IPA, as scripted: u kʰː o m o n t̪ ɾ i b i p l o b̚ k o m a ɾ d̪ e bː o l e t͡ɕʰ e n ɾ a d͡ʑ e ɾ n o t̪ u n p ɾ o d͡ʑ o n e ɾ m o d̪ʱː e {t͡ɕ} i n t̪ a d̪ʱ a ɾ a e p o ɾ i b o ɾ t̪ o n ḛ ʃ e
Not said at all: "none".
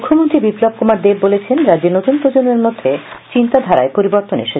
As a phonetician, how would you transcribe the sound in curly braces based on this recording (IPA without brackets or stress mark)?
t͡ɕ